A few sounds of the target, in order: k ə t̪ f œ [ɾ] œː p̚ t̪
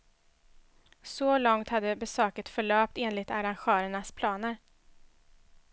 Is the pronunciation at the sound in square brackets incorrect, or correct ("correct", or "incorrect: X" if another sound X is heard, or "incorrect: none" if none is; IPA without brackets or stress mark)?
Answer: incorrect: ɭ